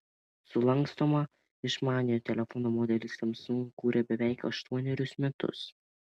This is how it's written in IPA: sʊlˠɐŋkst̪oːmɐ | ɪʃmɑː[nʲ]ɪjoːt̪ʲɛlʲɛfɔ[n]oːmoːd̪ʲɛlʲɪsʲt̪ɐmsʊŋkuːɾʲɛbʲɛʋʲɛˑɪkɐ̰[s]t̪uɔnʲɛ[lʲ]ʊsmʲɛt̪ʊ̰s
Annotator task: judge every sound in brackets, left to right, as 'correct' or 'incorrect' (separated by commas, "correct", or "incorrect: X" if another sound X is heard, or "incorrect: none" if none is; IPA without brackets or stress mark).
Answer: correct, correct, incorrect: ʃ, incorrect: ɾʲ